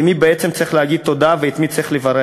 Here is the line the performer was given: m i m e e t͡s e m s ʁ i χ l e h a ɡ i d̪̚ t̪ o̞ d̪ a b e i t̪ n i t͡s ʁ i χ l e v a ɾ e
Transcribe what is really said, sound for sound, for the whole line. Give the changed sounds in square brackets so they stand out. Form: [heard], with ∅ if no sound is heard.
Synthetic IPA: m i [b] e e t͡s e m [t͡s] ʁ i χ l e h a ɡ i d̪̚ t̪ o̞ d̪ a [v] e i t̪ [m] i t͡s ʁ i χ l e v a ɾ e